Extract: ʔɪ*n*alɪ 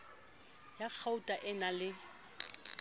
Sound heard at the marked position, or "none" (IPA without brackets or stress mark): n